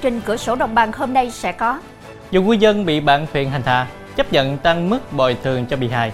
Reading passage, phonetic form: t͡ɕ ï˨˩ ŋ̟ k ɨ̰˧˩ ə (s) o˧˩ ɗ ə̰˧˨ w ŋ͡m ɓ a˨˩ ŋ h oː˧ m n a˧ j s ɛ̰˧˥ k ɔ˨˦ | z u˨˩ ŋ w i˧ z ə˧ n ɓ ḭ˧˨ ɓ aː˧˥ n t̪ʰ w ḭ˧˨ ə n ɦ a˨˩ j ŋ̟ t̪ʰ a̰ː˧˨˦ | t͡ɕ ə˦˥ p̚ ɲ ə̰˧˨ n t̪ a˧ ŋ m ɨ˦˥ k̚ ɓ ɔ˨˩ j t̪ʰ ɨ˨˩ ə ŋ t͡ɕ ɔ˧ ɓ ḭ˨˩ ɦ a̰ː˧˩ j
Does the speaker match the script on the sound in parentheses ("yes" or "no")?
yes